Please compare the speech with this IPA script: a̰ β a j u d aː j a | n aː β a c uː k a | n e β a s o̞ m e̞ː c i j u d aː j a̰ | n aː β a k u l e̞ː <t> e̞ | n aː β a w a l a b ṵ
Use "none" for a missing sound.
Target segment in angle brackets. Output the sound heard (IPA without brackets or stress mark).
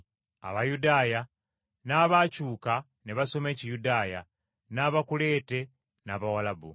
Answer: t